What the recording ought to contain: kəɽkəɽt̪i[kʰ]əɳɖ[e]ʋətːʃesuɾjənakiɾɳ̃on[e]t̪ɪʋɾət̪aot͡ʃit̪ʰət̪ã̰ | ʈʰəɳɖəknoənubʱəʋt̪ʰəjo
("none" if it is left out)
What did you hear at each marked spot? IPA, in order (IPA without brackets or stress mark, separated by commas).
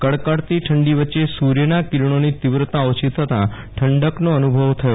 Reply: ʈʰ, i, i